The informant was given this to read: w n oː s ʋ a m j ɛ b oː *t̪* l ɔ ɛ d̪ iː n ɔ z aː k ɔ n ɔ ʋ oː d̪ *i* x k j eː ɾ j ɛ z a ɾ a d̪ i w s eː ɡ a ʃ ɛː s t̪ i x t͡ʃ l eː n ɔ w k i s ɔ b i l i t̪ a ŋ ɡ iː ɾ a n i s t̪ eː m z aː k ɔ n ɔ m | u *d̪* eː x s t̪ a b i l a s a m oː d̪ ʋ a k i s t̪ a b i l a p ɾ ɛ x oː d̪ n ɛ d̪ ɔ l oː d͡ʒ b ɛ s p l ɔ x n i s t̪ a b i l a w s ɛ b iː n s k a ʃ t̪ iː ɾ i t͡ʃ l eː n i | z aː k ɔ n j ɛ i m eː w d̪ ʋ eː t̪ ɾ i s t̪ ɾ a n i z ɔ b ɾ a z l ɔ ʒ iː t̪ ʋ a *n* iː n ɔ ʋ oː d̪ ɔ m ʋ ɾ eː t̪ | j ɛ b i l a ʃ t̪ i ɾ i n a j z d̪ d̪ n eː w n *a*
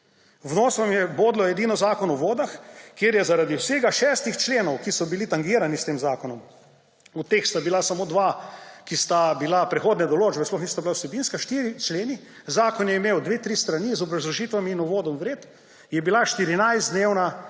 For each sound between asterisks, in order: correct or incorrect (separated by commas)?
incorrect, incorrect, incorrect, incorrect, correct